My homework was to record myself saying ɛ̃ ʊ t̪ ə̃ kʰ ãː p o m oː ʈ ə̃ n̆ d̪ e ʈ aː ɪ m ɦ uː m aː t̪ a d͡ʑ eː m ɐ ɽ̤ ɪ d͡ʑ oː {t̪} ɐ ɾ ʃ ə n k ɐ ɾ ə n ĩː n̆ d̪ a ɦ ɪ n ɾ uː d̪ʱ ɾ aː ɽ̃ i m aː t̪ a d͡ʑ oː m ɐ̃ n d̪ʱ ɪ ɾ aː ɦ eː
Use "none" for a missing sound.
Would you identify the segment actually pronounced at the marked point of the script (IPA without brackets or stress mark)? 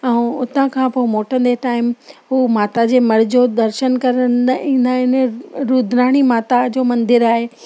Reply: d̪